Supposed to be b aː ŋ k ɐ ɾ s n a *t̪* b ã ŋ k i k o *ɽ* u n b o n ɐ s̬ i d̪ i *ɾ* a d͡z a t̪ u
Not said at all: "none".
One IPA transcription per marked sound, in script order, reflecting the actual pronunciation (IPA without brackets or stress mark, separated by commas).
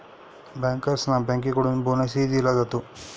none, ɽ, l